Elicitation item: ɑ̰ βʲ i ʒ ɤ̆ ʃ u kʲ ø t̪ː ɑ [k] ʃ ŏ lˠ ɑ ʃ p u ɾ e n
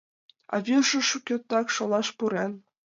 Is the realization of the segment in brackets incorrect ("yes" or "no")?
no